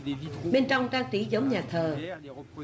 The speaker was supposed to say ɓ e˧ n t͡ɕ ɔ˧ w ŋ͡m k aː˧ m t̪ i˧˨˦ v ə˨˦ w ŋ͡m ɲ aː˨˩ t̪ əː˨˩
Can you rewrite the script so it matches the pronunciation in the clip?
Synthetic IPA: ɓ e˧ n t͡ɕ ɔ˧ w ŋ͡m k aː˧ ŋ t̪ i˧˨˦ z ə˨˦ w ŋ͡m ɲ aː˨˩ t̪ʰ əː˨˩

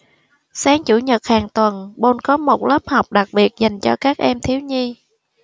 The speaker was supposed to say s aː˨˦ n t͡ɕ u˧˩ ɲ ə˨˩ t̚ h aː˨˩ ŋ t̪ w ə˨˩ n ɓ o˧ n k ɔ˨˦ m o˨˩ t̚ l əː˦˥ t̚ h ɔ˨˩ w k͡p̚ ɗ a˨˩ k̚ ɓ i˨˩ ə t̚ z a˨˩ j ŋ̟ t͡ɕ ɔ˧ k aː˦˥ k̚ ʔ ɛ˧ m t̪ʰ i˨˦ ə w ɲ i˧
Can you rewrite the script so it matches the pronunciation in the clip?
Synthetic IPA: s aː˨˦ ŋ t͡ɕ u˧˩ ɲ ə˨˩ t̚ h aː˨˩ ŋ t̪ w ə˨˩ n ɓ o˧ n k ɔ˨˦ m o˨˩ t̚ l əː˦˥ p̚ h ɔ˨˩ w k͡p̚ ɗ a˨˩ k̚ ɓ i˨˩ ə t̚ z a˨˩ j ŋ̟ t͡ɕ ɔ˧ k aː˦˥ k̚ ʔ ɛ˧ m t̪ʰ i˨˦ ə w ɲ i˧

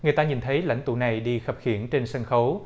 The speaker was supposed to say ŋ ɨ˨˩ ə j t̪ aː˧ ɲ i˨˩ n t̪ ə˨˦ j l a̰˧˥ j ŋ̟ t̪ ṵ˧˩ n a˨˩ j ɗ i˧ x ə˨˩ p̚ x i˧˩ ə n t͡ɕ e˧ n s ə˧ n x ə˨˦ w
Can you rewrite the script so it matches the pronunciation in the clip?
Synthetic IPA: ŋ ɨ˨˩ ə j t̪ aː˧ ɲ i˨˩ n t̪ʰ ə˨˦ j l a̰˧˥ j ŋ̟ t̪ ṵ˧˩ n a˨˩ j ɗ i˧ x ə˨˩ p̚ x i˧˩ ə n t͡ɕ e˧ n s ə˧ n x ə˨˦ w

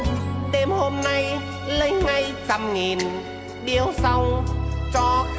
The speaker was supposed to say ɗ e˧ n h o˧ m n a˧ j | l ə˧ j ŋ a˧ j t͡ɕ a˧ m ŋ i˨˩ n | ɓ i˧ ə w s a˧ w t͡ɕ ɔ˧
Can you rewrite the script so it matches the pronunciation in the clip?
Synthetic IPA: ɗ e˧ m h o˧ m n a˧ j | l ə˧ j ŋ a˧ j t͡ɕ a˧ m ŋ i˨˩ n | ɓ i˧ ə w s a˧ w t͡ɕ ɔ˧

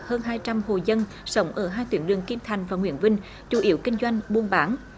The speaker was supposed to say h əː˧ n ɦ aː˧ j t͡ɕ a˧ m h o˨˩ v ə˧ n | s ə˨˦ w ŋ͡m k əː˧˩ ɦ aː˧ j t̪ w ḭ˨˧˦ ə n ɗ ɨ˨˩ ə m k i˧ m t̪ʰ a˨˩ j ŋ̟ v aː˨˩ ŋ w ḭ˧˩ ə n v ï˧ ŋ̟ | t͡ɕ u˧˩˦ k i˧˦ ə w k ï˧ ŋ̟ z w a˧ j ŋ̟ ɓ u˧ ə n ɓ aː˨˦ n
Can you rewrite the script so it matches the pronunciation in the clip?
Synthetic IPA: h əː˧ n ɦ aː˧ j t͡ɕ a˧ m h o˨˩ z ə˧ n | s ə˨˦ w ŋ͡m ʔ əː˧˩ ɦ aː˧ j t̪ w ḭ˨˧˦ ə n ɗ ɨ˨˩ ə ŋ k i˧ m t̪ʰ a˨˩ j ŋ̟ v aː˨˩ ŋ w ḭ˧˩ ə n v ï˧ ŋ̟ | t͡ɕ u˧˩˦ ʔ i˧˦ ə w k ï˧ ŋ̟ z w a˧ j ŋ̟ ɓ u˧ ə n ɓ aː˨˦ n

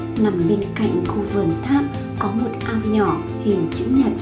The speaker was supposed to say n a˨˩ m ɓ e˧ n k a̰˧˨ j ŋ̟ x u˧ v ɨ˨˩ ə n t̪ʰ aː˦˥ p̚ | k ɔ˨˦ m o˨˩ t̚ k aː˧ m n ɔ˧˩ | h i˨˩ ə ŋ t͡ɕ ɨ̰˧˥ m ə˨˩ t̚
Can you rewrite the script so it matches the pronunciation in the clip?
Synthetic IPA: n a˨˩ m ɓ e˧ n k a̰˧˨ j ŋ̟ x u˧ v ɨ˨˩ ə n t̪ʰ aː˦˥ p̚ | k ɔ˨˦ m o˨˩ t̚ ʔ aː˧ m ɲ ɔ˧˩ | h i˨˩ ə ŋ t͡ɕ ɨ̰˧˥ ɲ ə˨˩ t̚

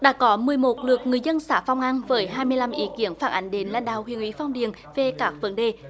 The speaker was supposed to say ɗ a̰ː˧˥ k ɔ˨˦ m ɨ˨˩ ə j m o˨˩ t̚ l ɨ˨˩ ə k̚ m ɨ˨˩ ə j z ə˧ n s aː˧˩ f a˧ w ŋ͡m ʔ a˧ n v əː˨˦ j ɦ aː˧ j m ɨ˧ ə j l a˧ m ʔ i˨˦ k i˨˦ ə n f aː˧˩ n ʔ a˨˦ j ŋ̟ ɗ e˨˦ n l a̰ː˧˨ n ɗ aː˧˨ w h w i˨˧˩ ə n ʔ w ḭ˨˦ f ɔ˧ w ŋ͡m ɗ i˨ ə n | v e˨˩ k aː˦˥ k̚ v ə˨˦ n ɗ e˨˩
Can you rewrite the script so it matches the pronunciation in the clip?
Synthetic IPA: ɗ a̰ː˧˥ k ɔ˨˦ m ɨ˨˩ ə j m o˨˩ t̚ l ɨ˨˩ ə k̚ ŋ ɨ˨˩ ə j z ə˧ n s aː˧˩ f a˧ w ŋ͡m ʔ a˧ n v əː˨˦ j ɦ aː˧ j m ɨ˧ ə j l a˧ m ʔ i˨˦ k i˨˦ ə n f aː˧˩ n ʔ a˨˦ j ŋ̟ ɗ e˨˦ n l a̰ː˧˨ n ɗ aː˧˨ w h w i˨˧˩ ə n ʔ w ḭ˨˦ f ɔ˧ w ŋ͡m ɗ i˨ ə n | v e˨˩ k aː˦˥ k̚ v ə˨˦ n ɗ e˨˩

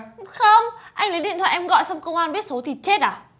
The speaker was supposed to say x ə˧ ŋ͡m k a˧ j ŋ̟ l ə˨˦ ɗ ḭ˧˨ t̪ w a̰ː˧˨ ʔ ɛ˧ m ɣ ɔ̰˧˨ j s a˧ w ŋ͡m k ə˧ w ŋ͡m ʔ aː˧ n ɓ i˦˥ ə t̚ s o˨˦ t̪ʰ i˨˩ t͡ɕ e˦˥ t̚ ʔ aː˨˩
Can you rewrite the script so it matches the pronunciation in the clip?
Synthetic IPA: x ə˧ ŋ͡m ʔ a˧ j ŋ̟ l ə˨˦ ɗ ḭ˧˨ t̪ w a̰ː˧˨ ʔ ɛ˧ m ɣ ɔ̰˧˨ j s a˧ w ŋ͡m k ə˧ w ŋ͡m ʔ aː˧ n ɓ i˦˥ ə t̚ s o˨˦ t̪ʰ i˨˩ t͡ɕ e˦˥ t̚ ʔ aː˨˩

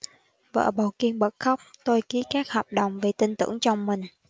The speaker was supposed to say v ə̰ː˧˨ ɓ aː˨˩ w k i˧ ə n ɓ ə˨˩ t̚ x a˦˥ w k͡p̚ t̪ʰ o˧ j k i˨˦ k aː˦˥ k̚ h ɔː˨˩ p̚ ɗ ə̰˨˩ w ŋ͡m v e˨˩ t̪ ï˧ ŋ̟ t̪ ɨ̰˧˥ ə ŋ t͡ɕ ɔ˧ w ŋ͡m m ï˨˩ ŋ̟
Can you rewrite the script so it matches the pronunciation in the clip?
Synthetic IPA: v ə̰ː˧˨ ɓ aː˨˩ w k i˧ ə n ɓ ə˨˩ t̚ x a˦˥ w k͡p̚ t̪ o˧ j k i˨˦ k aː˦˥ k̚ h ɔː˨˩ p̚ ɗ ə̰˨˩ w ŋ͡m v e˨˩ t̪ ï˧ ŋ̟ t̪ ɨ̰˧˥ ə ŋ t͡ɕ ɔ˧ w ŋ͡m m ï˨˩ ŋ̟

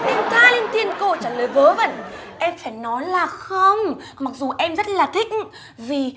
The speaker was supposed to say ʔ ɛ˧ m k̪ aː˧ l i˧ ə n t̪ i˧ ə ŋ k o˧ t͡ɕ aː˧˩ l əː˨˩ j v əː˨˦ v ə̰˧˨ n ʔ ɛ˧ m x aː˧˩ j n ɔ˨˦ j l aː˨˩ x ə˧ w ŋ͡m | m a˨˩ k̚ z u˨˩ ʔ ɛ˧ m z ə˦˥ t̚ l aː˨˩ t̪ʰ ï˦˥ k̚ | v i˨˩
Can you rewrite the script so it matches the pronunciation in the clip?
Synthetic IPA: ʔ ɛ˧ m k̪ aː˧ l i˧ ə n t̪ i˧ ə n k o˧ t͡ɕ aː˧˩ l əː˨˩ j v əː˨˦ v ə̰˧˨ n ʔ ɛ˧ m f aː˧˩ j n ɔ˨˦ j l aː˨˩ x ə˧ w ŋ͡m | m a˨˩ k̚ z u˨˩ ʔ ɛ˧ m z ə˦˥ t̚ l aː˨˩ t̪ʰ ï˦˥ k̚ | v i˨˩

